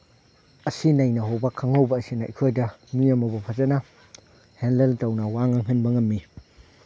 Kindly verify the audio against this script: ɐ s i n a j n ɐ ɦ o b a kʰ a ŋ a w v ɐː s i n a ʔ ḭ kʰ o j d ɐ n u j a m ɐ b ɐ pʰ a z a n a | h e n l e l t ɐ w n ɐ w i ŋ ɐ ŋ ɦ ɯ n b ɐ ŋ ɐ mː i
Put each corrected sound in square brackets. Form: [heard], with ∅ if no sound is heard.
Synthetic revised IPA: ɐ s i n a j n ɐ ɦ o b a kʰ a ŋ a w [b] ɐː s i n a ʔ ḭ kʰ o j d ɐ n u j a m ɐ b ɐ pʰ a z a n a | h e n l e l t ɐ w n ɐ w [a] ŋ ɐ ŋ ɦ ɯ n b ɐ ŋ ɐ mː i